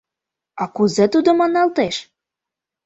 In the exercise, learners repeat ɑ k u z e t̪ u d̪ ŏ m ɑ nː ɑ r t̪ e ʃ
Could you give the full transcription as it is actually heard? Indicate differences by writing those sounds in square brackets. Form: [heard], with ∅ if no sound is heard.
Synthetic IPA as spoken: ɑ k u z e t̪ u d̪ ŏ m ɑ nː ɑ [l] t̪ e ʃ

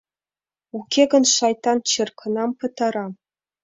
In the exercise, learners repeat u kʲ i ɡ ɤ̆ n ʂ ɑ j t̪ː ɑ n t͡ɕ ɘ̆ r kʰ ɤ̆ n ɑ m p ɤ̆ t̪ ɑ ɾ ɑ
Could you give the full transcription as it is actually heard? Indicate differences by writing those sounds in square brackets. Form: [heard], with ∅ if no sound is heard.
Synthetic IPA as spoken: u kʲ [e] ɡ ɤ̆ n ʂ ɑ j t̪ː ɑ n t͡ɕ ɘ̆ r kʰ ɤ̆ n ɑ m p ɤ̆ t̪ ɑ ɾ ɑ

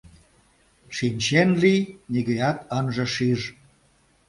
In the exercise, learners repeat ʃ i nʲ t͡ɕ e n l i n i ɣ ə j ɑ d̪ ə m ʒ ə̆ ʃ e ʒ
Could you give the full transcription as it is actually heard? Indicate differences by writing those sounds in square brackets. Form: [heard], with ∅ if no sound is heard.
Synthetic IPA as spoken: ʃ i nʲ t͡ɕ e n l i n i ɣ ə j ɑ [t̪] ə [n] ʒ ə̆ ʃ [i] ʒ

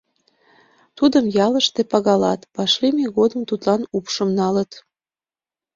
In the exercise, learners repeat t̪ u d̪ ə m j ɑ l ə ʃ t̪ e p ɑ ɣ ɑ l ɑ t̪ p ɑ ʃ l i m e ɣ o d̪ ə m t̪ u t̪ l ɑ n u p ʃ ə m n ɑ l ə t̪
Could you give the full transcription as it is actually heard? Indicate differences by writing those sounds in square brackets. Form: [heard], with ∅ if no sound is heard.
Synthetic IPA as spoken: t̪ u d̪ ə m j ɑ l ə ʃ t̪ e p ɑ ɣ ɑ l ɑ t̪ p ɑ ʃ l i m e ɣ o d̪ ə m t̪ u t̪ l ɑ n u p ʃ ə m n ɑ l ə t̪

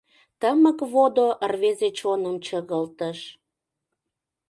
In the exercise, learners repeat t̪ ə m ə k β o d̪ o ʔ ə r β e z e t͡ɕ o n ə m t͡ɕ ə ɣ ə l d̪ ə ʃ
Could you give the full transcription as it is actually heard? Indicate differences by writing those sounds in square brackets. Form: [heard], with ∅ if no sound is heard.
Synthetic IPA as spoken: t̪ ə m ə k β o d̪ o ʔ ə r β e z e t͡ɕ o n ə m t͡ɕ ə ɣ ə l [t̪] ə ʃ

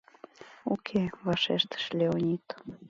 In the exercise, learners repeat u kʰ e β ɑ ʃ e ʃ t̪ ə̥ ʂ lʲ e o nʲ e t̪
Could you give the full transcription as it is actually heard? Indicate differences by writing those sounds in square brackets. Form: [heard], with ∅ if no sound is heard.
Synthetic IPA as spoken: u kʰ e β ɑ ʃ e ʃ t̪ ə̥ [ʃ] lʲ e o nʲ [i] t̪

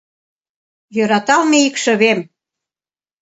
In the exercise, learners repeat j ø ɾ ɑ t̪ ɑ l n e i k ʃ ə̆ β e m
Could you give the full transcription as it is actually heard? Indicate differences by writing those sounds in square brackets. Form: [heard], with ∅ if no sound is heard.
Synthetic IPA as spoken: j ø ɾ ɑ t̪ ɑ l [m] e i k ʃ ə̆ β e m

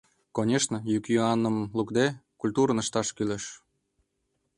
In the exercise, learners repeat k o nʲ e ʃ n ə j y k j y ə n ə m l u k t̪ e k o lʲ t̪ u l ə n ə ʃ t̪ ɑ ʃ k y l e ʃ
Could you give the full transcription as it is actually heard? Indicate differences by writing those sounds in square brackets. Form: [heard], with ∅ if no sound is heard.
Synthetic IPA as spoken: k o nʲ e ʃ n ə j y k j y [ɑ] n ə m l u k [d̪] e k [u] lʲ t̪ u [ɾ] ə n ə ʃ t̪ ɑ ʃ k y l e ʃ

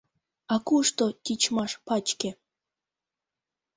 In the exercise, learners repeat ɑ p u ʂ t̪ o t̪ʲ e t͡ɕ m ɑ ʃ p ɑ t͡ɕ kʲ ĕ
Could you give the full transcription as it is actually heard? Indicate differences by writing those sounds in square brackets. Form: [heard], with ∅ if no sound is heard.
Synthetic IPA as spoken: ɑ [k] u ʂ t̪ o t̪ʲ [i] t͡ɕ m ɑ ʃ p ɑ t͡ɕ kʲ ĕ

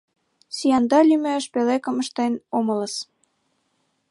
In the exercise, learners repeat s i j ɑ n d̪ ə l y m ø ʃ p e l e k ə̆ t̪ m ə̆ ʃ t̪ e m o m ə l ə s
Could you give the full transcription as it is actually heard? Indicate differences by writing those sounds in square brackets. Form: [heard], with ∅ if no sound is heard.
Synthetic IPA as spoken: s i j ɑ n d̪ [ɑ] l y m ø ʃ p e l e k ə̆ [∅] m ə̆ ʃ t̪ e [n] o m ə l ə s

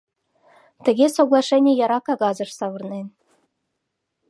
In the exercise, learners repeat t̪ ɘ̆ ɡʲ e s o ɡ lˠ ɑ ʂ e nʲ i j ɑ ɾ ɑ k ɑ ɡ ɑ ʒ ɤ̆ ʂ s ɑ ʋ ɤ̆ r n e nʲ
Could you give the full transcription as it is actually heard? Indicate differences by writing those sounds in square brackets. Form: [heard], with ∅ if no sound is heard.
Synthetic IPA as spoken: t̪ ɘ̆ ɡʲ e s o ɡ lˠ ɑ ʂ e nʲ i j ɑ ɾ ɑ k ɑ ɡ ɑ [z] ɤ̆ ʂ s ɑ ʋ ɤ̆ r n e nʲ

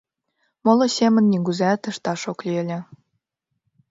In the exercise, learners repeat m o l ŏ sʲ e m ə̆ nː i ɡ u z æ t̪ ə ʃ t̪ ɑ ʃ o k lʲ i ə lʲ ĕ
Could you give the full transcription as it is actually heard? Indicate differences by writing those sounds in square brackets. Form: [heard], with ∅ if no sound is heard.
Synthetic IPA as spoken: m o l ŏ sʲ e m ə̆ nː i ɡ u z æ t̪ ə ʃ t̪ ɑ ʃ o k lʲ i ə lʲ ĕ

